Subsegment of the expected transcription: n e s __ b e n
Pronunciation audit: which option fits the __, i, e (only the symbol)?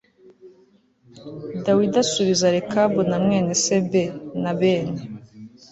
e